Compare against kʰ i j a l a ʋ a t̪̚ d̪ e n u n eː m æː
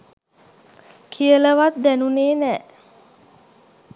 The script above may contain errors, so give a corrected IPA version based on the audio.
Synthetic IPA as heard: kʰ i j ə l ə ʋ a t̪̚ d̪ æ n u n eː n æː